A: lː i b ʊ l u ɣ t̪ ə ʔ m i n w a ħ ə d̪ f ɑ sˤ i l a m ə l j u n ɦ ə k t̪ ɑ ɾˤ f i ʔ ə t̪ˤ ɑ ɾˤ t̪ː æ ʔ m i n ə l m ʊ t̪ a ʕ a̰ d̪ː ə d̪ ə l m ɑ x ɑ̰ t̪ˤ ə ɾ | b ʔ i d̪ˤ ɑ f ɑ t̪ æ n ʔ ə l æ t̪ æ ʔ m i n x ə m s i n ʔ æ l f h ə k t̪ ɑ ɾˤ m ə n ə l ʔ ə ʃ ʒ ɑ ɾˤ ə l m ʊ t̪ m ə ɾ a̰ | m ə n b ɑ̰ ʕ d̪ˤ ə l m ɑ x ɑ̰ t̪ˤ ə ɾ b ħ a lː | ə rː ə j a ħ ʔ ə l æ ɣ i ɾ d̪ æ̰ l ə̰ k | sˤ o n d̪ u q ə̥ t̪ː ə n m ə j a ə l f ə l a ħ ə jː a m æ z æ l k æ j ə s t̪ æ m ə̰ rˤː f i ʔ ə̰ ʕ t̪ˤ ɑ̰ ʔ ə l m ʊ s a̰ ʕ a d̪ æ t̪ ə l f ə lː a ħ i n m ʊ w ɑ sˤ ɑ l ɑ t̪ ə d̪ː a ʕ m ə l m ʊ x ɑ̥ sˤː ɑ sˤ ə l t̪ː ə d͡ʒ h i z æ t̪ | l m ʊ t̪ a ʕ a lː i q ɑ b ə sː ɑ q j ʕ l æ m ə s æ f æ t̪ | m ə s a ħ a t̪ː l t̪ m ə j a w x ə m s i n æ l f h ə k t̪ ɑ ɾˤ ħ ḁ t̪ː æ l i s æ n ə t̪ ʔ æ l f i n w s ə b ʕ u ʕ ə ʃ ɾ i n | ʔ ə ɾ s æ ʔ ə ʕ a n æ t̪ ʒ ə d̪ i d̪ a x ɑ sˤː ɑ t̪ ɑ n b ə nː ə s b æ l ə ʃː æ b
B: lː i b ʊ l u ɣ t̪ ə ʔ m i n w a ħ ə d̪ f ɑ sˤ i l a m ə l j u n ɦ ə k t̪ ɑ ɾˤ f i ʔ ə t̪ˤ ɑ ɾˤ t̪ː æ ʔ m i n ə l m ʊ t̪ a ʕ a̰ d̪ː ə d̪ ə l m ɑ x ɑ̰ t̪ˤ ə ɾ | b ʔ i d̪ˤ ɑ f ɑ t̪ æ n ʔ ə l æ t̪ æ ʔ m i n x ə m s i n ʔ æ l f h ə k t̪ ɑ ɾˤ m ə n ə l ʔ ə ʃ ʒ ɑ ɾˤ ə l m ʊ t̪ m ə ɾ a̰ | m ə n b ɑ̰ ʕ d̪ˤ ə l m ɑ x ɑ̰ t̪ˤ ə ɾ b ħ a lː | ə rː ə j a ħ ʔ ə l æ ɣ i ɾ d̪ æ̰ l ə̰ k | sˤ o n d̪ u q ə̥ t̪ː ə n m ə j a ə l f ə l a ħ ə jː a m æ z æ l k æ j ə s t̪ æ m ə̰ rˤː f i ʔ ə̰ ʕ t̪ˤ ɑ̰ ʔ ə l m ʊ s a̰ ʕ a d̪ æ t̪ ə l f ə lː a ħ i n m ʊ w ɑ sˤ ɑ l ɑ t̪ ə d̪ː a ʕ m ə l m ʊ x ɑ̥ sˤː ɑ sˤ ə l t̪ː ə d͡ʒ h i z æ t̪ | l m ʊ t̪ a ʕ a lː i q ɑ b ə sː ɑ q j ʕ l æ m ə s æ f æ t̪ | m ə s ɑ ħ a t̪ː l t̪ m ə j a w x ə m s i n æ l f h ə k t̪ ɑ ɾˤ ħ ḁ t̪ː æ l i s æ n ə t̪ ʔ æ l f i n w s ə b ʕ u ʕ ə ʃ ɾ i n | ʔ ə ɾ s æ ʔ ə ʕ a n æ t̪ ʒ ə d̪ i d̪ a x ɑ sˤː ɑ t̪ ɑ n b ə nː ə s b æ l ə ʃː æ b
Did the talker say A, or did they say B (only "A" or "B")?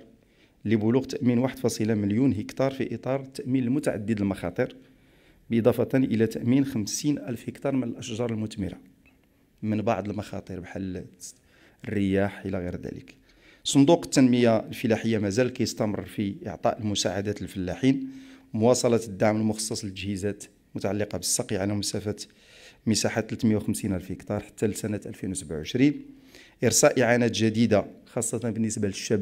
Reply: A